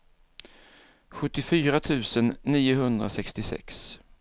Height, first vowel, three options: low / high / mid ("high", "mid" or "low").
mid